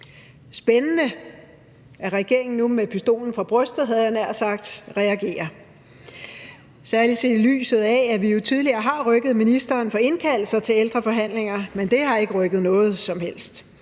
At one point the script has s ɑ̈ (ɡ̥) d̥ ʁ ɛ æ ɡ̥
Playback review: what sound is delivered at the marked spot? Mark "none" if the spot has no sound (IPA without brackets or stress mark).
ɡ̥